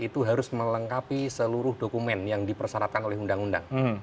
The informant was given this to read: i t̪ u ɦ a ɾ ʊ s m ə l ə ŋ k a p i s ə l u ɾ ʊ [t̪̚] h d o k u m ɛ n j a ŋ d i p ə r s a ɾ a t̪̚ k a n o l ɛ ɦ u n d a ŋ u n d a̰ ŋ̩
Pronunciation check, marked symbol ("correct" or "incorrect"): incorrect